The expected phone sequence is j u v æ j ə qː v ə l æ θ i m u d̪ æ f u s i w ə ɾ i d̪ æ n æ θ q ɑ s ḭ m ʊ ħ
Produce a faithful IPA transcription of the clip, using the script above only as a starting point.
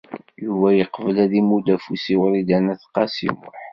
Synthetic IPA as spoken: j u v æ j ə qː v ə l æ ð i m u d̪ æ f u s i w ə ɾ i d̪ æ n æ θ q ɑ s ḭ m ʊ ħ